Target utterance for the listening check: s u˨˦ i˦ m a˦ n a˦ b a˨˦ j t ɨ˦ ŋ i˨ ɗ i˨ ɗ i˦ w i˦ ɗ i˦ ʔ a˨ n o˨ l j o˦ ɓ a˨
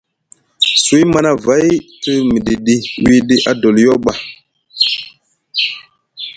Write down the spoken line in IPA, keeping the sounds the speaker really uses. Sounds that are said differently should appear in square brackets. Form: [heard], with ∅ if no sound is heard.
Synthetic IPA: s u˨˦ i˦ m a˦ n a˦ [v] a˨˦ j t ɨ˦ [m] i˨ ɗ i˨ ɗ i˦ w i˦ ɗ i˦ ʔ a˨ [d] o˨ l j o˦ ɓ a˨

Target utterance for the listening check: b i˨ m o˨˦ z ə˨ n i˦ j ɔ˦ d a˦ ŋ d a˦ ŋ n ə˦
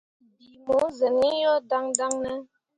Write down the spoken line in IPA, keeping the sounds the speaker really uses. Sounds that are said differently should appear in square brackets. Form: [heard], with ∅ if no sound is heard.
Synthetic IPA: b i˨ m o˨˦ z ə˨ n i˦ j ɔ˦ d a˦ ŋ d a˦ ŋ n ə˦

